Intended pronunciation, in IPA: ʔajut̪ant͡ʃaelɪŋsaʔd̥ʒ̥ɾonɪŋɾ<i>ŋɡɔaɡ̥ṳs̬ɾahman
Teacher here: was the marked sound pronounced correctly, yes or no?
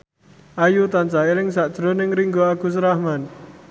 yes